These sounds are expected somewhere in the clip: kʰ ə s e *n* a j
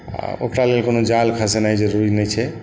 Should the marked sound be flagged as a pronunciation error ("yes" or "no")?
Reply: no